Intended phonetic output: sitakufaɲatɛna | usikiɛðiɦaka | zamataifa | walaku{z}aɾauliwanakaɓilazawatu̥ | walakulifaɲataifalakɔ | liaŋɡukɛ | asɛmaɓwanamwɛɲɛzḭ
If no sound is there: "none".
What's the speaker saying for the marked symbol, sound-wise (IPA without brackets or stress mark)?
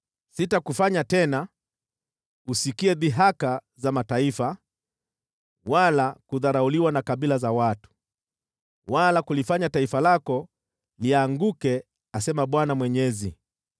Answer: ð